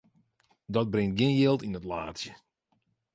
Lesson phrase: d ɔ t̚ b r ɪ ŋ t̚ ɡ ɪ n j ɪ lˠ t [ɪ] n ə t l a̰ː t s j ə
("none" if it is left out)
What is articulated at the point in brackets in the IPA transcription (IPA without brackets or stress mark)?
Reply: i